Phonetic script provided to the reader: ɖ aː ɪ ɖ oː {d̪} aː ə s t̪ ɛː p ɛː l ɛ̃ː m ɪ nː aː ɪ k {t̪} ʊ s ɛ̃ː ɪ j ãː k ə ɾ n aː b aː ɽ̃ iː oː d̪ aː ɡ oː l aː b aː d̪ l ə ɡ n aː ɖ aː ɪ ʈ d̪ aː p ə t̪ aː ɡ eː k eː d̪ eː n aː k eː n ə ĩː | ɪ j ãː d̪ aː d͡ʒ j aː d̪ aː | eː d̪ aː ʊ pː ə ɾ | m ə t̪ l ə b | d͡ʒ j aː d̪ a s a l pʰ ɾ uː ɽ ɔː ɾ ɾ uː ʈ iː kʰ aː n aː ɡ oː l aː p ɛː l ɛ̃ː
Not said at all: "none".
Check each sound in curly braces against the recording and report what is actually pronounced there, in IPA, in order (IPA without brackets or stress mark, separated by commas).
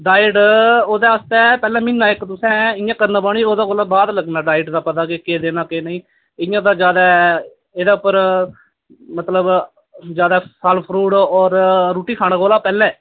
d̪, t̪